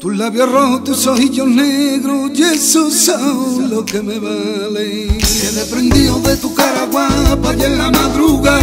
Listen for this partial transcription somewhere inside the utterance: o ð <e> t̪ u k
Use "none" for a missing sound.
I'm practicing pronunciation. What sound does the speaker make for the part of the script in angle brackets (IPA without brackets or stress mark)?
e